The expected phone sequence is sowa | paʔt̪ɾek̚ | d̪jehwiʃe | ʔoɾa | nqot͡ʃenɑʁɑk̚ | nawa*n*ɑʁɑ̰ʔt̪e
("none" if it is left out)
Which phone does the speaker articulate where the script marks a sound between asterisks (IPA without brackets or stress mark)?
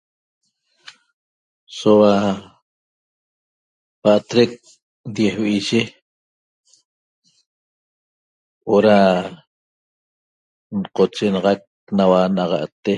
n